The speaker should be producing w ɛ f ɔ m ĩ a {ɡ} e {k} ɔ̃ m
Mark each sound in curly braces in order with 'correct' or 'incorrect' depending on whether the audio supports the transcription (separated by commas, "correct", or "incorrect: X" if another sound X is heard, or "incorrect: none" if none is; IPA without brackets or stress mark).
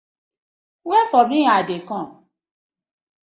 incorrect: d, correct